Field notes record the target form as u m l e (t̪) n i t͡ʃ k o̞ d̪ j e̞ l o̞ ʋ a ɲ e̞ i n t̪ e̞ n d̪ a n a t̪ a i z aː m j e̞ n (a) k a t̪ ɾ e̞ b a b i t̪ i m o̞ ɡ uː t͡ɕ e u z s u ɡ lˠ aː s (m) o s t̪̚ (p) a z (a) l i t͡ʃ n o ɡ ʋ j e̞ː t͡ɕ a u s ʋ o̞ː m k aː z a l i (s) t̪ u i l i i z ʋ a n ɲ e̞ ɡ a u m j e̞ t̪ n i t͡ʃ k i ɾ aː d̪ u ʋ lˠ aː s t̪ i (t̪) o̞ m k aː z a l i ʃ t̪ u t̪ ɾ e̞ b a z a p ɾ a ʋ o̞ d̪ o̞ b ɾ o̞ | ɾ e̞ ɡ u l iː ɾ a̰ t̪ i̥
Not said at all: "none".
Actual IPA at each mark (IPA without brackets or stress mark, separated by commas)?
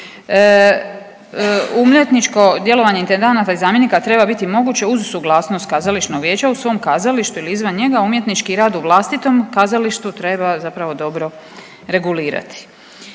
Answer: t̪, i, n, k, a, ʃ, t̪